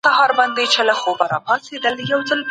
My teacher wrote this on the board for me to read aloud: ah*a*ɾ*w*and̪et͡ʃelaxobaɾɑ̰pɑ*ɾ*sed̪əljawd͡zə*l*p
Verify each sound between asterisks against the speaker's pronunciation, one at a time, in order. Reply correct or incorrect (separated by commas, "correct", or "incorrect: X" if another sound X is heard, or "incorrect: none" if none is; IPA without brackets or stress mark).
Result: incorrect: ɑ, incorrect: b, incorrect: none, correct